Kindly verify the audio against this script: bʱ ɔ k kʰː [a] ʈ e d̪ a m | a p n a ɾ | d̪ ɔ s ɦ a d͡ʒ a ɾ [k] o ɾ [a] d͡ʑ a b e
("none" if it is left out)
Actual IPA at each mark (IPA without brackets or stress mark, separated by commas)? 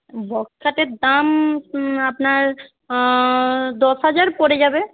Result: a, p, e